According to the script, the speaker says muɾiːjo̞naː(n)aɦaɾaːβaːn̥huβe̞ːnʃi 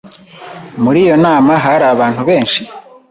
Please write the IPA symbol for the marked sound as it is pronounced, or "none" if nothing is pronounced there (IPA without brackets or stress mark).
m